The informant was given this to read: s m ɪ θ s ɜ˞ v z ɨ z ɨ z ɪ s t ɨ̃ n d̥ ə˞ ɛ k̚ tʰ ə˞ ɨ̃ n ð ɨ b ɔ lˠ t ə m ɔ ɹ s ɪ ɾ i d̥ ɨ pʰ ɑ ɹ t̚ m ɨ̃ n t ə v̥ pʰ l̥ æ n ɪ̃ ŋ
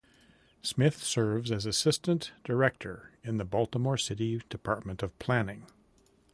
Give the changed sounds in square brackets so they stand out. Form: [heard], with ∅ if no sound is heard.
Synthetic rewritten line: s m ɪ θ s ɜ˞ v z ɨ z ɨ [s] ɪ s t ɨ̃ n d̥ ə˞ ɛ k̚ tʰ ə˞ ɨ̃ n ð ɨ b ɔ lˠ t ə m ɔ ɹ s ɪ ɾ i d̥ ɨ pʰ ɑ ɹ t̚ m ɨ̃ n t [ʌ] v̥ pʰ l̥ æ n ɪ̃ ŋ